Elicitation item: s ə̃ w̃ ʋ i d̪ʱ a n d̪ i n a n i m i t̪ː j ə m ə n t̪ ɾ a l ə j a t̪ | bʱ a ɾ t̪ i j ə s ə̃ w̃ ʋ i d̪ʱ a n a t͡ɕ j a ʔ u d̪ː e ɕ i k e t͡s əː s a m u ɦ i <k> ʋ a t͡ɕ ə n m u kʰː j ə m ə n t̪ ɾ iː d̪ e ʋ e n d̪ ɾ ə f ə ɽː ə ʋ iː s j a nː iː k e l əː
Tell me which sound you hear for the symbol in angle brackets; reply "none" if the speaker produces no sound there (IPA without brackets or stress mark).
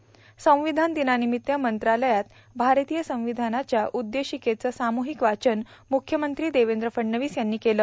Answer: k